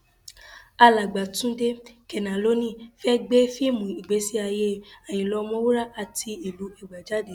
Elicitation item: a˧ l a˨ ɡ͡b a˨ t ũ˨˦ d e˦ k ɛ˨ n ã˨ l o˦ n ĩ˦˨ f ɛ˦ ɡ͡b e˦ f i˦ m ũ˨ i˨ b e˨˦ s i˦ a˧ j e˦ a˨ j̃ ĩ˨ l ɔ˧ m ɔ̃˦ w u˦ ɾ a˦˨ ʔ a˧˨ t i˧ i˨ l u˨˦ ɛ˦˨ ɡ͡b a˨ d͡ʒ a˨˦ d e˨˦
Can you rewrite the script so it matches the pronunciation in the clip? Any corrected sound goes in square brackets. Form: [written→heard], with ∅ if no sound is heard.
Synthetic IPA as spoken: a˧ l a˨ ɡ͡b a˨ t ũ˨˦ d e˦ k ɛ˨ n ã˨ l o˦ n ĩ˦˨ f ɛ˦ ɡ͡b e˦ f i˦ m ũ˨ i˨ [b→ɡ͡b] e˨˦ s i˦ a˧ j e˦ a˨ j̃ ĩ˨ l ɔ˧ m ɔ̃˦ w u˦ ɾ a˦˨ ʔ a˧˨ t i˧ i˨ l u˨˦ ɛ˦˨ ɡ͡b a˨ d͡ʒ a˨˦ d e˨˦